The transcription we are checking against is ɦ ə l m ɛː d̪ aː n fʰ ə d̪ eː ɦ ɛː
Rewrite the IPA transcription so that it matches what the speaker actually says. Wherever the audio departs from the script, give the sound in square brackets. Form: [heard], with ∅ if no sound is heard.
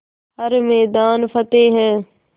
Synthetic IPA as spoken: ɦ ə [ɾ] m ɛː d̪ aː n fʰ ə [t̪] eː ɦ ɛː